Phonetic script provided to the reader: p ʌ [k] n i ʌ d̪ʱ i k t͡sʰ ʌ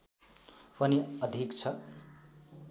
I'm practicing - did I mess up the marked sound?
yes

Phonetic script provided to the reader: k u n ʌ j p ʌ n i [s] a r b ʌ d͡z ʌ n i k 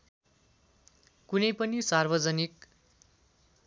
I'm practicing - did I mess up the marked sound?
no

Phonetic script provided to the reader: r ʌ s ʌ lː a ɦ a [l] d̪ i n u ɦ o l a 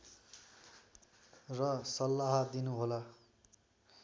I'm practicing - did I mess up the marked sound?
yes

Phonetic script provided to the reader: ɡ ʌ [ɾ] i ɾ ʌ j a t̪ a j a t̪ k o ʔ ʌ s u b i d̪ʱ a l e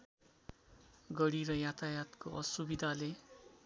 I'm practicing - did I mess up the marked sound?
yes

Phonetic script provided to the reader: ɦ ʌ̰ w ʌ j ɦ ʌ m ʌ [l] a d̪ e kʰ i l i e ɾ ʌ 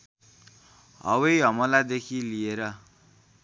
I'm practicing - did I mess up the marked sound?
no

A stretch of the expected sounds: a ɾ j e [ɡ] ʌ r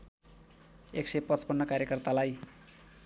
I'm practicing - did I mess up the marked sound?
yes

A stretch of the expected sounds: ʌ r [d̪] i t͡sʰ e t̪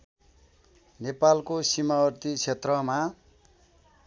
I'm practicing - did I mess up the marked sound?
yes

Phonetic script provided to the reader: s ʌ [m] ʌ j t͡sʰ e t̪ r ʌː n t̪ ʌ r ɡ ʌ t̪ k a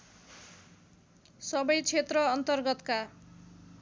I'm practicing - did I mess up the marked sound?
yes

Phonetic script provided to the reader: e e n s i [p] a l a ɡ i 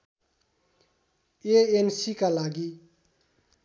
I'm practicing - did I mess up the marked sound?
yes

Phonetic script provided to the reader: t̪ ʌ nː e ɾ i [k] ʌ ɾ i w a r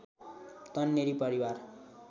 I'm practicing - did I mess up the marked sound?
yes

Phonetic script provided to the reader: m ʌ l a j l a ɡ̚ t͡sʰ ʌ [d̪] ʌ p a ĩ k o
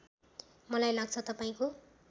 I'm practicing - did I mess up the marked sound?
yes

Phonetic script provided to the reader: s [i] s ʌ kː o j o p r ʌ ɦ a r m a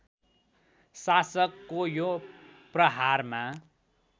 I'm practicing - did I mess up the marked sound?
yes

